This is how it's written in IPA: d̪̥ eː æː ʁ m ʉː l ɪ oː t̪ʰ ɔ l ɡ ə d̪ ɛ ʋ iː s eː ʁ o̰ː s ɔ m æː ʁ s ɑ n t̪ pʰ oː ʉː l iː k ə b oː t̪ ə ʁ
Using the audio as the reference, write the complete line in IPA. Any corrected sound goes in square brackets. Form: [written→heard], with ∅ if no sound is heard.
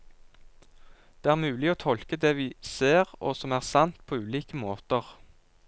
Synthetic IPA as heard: d̪̥ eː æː ʁ m ʉː l ɪ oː t̪ʰ ɔ l [ɡ→k] ə d̪ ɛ ʋ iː s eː ʁ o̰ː s ɔ m æː ʁ s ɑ n t̪ pʰ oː ʉː l iː k ə [b→m] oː t̪ ə ʁ